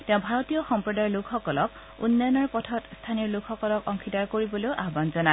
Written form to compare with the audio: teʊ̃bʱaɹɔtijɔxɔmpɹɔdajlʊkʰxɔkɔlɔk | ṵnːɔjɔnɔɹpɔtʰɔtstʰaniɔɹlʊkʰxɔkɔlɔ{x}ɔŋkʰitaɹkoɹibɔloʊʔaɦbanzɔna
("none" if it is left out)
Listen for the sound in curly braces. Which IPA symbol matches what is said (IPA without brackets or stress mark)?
k